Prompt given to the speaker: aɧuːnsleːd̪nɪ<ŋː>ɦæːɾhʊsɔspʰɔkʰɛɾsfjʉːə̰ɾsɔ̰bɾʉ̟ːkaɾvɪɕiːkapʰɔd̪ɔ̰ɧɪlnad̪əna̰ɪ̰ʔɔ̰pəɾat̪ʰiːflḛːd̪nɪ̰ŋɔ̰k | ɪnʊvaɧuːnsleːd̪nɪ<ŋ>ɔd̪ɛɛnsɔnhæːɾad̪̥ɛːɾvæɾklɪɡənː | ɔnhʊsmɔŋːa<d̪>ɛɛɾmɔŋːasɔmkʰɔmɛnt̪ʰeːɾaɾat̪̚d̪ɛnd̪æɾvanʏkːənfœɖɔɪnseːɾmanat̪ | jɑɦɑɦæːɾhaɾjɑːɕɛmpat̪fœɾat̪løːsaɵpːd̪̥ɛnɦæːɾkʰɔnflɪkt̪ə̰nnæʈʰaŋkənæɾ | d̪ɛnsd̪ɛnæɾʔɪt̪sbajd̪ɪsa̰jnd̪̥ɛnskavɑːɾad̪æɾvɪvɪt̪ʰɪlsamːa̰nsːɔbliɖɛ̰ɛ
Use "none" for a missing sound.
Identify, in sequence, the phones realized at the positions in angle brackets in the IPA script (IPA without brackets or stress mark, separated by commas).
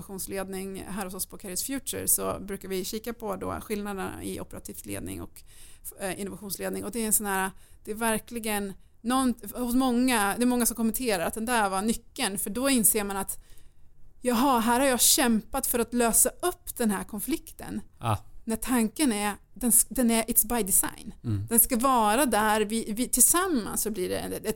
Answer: ŋ, ŋ, d̪